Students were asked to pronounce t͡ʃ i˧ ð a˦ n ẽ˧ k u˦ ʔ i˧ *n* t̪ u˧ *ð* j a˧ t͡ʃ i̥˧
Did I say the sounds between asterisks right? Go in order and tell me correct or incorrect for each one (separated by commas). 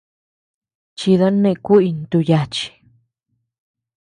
correct, incorrect